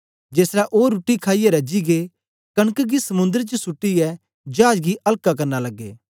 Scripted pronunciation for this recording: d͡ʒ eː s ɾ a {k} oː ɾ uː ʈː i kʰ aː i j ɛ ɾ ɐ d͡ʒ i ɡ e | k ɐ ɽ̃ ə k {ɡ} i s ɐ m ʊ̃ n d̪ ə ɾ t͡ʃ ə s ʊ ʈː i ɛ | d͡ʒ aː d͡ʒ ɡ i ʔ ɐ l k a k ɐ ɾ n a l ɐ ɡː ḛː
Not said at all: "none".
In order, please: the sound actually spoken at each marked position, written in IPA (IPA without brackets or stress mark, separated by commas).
ʔ, ɡ